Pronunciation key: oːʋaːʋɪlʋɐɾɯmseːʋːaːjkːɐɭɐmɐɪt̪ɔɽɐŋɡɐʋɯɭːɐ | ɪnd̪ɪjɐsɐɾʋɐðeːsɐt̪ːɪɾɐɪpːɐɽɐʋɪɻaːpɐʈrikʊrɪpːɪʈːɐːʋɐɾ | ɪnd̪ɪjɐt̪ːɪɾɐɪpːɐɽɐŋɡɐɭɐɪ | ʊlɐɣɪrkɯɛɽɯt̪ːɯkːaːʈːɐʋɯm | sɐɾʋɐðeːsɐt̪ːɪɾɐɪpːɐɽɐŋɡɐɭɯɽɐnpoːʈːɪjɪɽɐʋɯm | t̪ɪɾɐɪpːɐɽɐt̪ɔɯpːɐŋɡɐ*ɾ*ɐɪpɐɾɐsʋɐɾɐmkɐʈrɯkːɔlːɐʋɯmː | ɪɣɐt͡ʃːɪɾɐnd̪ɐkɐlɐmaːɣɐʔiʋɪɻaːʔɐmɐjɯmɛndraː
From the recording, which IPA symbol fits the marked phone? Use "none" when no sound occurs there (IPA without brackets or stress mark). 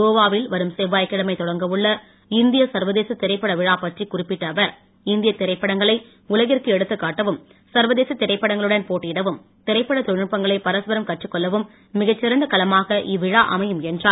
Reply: ɭ